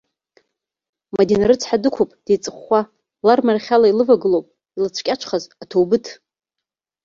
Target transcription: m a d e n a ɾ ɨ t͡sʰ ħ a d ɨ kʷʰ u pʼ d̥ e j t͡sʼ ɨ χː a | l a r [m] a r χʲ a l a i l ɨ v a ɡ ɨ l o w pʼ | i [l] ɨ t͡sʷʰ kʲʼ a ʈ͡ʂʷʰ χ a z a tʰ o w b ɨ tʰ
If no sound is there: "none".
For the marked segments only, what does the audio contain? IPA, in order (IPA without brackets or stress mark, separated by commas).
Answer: m, l